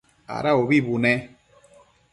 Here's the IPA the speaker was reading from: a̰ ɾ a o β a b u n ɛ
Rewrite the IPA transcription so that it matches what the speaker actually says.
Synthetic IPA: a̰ ɾ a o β i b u n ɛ